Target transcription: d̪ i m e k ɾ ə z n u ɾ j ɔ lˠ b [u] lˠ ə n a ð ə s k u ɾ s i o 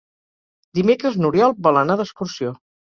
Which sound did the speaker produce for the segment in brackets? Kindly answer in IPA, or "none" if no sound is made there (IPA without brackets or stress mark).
ɔ